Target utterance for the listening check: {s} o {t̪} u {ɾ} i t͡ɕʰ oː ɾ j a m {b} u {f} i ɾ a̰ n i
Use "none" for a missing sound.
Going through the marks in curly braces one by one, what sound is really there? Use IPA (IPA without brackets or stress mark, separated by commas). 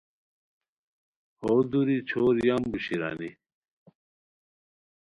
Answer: h, d̪, ɾ, b, ɕ